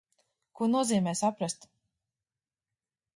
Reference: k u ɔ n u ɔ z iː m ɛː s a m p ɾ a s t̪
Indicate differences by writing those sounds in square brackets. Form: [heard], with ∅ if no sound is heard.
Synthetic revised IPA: k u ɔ n u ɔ z iː m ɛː s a [∅] p ɾ a s t̪

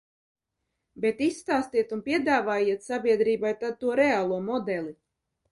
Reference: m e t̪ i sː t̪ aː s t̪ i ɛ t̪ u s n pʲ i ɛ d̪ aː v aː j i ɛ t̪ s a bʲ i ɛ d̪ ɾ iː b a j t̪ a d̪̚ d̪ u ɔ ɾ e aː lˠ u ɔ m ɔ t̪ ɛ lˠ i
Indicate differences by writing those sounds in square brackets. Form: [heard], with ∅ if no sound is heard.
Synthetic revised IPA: [b] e t̪ i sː t̪ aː s t̪ i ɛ t̪ u [∅] n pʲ i ɛ d̪ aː v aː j i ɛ t̪ s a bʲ i ɛ d̪ ɾ iː b a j t̪ a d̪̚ [t̪] u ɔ ɾ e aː lˠ u ɔ m ɔ [d̪] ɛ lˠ i

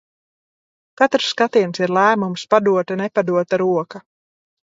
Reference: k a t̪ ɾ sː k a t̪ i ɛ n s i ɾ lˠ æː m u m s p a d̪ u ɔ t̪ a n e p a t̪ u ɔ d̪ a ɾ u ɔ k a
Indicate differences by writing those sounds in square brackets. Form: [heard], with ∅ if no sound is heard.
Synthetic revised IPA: k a t̪ ɾ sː k a t̪ i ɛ n s i ɾ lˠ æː m u m s p a d̪ u ɔ t̪ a n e p a [d̪] u ɔ [t̪] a ɾ u ɔ k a

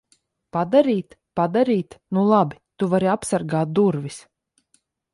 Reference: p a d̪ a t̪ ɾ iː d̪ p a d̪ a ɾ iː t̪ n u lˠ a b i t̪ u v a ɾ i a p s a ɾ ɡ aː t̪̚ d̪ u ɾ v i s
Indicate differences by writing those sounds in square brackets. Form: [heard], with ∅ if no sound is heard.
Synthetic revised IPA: p a d̪ a [∅] ɾ iː [t̪] p a d̪ a ɾ iː t̪ n u lˠ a b i t̪ u v a ɾ i a p s a ɾ ɡ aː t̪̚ d̪ u ɾ v i s

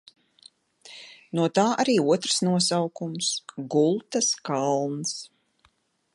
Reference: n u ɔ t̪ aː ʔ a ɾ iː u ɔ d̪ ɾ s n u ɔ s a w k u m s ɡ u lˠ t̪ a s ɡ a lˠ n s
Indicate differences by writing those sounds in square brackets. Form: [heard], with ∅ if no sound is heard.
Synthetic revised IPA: n u ɔ t̪ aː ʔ a ɾ iː u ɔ [t̪] ɾ s n u ɔ s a w k u m s ɡ u lˠ t̪ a s [k] a lˠ n s

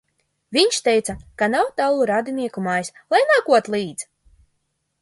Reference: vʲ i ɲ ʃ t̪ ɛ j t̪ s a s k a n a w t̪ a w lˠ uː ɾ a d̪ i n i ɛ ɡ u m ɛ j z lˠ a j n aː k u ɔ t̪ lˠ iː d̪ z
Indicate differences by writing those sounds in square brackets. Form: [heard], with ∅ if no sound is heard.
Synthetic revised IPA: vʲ i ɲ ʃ t̪ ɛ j t̪ s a [∅] k a n a w t̪ a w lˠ [u] ɾ a d̪ i n i ɛ [k] u m [a] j [s] lˠ a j n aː k u ɔ t̪ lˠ iː d̪ z

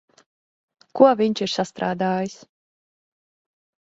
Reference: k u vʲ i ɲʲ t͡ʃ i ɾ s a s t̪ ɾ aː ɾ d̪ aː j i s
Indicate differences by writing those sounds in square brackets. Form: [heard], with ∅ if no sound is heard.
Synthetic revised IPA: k u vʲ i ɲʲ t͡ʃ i ɾ s a s t̪ ɾ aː [∅] d̪ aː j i s

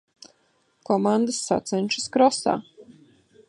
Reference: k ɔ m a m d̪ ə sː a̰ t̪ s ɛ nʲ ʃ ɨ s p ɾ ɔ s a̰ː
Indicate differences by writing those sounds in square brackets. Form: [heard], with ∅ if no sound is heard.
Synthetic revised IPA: k ɔ m a [n] d̪ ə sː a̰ t̪ s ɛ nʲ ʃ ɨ s [k] ɾ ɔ s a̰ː

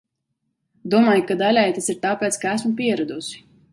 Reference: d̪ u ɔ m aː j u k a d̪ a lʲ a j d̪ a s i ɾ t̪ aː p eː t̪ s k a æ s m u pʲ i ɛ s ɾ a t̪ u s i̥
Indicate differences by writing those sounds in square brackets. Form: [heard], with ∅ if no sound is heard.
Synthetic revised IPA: d̪ u ɔ m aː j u k a d̪ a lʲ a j [t̪] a s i ɾ t̪ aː p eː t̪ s k a æ s m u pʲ i ɛ [∅] ɾ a [d̪] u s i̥

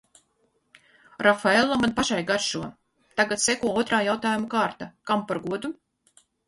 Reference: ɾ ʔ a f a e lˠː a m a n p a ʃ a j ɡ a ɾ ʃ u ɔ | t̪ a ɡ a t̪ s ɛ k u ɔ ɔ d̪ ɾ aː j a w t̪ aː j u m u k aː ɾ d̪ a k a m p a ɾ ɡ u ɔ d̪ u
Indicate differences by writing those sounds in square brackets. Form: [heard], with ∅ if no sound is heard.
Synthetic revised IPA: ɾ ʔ a f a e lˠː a m a n p a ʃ a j ɡ a ɾ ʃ u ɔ | t̪ a ɡ a t̪ s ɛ k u ɔ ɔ [t̪] ɾ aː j a w t̪ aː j u m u k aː ɾ [t̪] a k a m p a ɾ ɡ u ɔ d̪ u

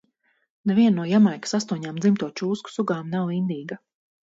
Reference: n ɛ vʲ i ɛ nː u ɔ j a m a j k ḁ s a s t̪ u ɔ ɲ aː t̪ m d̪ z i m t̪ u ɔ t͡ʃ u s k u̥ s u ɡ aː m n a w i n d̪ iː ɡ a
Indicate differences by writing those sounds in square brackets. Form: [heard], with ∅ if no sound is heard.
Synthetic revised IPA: n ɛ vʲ i ɛ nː u ɔ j a m a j k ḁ s a s t̪ u ɔ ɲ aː [∅] m d̪ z i m t̪ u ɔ t͡ʃ [uː] s k u̥ s u ɡ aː m n a w i n d̪ iː ɡ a

